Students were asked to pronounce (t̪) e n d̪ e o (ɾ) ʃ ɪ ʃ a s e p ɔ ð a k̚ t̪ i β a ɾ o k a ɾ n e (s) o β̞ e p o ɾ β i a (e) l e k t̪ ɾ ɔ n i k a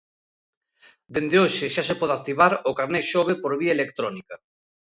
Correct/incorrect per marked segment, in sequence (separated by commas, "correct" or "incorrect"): incorrect, incorrect, incorrect, correct